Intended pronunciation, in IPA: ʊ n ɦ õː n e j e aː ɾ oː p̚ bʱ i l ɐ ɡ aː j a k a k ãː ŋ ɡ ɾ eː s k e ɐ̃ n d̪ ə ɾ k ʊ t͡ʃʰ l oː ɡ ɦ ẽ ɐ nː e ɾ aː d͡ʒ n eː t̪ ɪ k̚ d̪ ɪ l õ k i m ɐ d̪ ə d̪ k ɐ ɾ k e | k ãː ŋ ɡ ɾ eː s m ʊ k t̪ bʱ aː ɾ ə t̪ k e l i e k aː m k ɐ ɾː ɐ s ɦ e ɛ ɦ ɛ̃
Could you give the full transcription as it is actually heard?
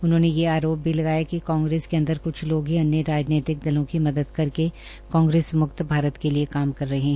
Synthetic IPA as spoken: ʊ n ɦ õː n e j e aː ɾ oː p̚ bʱ i l ɐ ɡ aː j a k i k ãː ŋ ɡ ɾ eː s k e ɐ̃ n d̪ ə ɾ k ʊ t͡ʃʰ l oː ɡ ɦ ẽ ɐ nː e ɾ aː d͡ʒ n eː t̪ ɪ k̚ d̪ ɪ l õ k i m ɐ d̪ ə d̪ k ɐ ɾ k e | k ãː ŋ ɡ ɾ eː s m ʊ k t̪ bʱ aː ɾ ə t̪ k e l i e k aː m k ɐ ɾː ɐ ɦ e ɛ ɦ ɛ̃